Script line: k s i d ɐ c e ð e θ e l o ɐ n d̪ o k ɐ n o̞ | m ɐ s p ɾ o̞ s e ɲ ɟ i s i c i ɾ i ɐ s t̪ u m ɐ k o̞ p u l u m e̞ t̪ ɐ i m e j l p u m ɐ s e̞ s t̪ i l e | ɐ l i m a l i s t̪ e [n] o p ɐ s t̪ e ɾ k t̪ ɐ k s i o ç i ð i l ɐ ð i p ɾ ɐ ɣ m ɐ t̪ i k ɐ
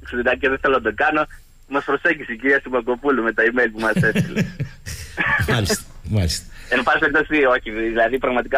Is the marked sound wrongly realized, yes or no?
no